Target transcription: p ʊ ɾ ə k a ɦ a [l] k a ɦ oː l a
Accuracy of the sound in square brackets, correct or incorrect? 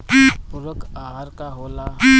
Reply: incorrect